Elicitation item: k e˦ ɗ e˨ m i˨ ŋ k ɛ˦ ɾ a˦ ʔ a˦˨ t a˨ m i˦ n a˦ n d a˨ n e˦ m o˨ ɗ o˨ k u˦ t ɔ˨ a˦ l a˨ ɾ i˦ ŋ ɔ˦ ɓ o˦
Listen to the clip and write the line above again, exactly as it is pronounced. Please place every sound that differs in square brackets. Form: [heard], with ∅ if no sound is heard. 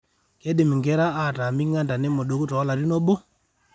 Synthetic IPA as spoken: k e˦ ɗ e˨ m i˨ ŋ [ɡ] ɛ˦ ɾ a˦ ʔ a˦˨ t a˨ m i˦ [ŋ] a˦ n d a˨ n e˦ m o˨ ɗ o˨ k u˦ t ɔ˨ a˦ l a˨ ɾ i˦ [n] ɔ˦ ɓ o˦

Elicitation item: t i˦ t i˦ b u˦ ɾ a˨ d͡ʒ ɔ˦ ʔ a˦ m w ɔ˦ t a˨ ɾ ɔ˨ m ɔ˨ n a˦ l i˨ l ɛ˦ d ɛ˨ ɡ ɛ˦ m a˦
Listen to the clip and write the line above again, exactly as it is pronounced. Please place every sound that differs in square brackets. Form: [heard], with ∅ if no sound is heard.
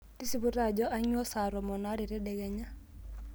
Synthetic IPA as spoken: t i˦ [s] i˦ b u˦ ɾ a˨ d͡ʒ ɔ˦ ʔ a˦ [ɲ] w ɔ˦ [s] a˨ ɾ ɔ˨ m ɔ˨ n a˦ [ɾ] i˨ [ɾ] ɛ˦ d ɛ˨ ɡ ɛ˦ [ɲ] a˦

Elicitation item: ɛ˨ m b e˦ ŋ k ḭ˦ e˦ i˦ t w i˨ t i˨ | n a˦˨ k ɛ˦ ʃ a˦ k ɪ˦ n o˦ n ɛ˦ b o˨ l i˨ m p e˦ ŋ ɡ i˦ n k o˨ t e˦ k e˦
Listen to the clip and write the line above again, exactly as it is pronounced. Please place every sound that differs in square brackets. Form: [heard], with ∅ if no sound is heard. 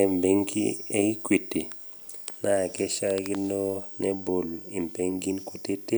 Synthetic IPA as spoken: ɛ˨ m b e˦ ŋ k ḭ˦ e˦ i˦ [k] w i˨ t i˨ | n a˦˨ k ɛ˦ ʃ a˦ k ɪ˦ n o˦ n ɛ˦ b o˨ l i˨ m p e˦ ŋ ɡ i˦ n k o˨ t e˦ [t] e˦

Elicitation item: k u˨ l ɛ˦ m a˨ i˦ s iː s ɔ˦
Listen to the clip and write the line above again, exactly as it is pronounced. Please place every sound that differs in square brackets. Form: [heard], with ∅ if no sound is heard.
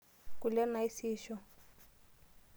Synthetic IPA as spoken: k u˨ l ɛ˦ [n] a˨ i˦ s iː [ʃ] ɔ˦

